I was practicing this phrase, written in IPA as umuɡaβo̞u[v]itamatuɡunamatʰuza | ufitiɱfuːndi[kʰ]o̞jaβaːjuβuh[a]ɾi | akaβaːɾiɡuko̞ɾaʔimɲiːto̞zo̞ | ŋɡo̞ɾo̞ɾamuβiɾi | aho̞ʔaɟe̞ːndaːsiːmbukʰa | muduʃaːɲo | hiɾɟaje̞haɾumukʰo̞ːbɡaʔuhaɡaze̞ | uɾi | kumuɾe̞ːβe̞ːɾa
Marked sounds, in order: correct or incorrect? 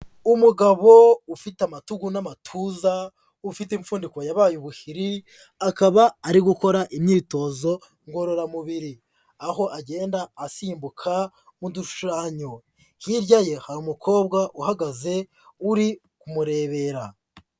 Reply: incorrect: f, incorrect: k, incorrect: i

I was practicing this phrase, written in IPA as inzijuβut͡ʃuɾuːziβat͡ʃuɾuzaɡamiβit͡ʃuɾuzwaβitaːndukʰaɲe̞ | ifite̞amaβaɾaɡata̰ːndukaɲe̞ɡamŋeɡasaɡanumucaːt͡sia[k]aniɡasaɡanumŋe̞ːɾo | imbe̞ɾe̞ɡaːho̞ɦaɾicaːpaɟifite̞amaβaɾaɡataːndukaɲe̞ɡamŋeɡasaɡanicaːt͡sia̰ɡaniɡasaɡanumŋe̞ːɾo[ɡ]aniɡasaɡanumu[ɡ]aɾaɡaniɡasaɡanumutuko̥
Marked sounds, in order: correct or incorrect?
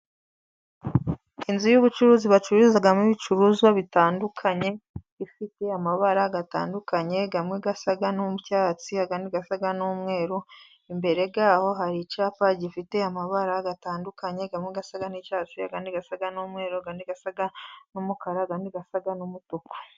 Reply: incorrect: ɡ, correct, incorrect: k

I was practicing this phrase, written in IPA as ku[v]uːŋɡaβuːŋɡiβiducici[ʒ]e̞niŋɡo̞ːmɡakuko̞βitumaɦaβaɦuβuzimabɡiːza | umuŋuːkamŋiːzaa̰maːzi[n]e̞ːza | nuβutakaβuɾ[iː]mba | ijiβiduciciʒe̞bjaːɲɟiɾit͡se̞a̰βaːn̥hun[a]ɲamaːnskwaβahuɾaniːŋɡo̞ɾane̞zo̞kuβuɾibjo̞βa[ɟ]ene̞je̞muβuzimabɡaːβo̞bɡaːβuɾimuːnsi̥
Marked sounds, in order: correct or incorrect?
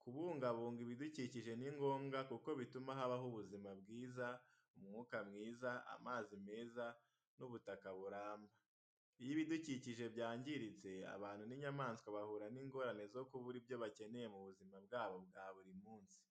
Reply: incorrect: β, correct, incorrect: m, incorrect: aː, incorrect: i, incorrect: c

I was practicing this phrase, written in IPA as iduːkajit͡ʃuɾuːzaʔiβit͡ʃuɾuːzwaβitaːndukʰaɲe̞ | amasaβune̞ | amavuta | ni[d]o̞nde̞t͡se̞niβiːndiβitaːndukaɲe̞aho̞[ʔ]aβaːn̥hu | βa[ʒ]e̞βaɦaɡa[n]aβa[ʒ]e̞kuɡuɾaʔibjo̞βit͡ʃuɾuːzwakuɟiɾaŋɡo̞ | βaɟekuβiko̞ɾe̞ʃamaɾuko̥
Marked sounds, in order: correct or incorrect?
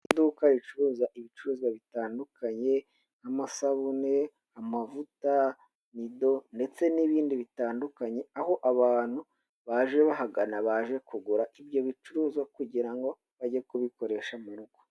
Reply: correct, correct, correct, correct, correct

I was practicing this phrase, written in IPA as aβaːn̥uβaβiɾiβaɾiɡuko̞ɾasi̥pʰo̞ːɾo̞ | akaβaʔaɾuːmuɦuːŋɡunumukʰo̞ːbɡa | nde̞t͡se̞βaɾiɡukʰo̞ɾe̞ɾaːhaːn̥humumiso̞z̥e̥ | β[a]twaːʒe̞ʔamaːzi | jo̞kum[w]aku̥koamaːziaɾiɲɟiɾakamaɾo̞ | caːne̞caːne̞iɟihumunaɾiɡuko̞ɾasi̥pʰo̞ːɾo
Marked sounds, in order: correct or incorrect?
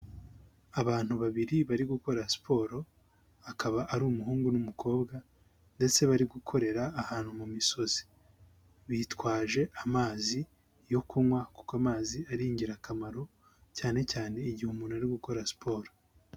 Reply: incorrect: i, correct

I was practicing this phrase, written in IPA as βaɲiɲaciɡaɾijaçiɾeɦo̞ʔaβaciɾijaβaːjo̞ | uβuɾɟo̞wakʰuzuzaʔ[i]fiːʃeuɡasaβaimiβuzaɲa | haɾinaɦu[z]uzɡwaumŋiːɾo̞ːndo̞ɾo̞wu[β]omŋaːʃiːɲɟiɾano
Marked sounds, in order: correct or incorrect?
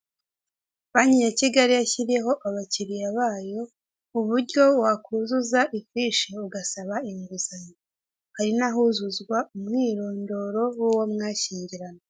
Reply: correct, correct, incorrect: w

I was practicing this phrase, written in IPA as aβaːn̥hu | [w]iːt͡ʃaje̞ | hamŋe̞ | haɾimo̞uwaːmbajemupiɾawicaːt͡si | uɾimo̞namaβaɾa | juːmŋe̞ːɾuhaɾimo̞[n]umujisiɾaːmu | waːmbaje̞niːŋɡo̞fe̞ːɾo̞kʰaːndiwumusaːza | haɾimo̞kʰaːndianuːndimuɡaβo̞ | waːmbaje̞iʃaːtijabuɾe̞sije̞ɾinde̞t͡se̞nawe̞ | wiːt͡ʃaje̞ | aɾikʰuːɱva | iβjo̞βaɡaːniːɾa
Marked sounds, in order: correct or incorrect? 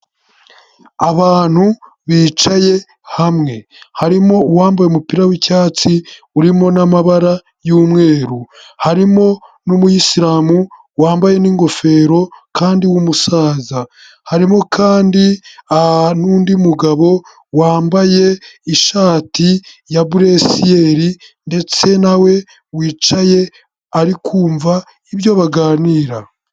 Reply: incorrect: β, correct

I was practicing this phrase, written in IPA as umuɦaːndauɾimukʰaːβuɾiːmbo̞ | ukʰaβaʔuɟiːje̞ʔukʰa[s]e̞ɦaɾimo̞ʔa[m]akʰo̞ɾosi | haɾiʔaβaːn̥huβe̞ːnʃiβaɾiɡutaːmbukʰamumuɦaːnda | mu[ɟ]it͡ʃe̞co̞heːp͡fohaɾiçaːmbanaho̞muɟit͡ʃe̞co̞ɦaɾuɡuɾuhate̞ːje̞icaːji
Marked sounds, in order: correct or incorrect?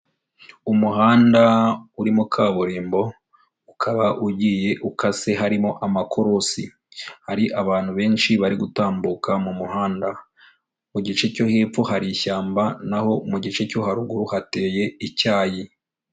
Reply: correct, correct, correct

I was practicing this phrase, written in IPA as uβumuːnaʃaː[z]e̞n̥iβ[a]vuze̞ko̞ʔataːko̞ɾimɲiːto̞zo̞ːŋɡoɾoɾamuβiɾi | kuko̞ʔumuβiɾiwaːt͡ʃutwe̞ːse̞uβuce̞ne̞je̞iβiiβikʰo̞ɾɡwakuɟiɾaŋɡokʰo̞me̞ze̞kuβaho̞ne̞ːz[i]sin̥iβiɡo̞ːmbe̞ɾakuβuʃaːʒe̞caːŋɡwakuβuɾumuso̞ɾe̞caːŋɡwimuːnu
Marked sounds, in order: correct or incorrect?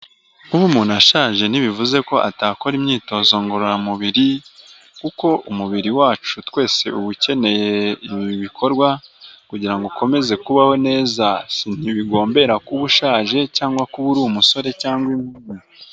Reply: incorrect: ʒ, incorrect: i, incorrect: a

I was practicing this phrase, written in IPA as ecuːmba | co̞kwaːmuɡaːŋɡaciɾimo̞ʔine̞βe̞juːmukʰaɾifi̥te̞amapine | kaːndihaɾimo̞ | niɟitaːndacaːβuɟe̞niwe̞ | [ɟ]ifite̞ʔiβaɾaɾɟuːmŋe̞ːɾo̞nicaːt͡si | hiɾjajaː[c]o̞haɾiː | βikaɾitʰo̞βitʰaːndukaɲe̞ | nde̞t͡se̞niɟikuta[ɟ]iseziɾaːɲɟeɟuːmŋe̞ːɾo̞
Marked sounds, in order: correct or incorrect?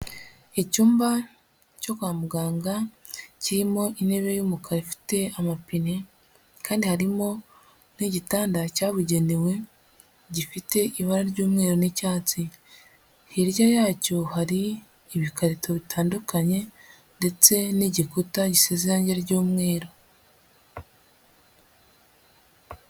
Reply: correct, correct, correct

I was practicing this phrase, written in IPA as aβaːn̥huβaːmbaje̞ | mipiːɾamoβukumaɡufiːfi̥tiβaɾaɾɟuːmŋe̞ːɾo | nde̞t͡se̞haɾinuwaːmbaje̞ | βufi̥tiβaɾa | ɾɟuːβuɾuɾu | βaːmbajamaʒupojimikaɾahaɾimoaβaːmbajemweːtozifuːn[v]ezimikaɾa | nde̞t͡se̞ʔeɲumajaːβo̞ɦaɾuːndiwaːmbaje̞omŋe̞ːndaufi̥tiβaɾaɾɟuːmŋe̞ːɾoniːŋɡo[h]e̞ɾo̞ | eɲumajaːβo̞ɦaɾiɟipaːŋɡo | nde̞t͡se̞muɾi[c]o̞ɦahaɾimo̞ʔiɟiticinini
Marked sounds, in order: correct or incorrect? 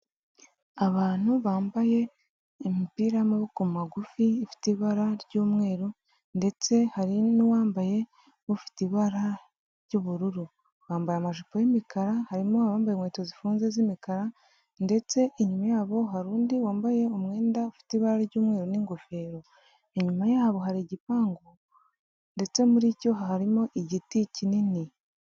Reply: incorrect: z, incorrect: f, correct

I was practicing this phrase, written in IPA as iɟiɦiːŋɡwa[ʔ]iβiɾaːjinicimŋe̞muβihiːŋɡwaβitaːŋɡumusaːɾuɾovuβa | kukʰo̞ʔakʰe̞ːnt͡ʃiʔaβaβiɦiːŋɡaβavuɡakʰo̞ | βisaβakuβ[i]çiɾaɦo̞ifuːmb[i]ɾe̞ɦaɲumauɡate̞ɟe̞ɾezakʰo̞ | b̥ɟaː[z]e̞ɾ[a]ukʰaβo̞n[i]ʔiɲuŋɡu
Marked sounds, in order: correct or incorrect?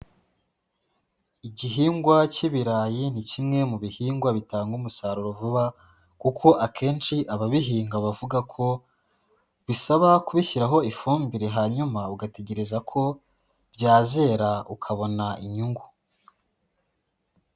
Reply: incorrect: c, correct, correct, correct, correct, incorrect: a

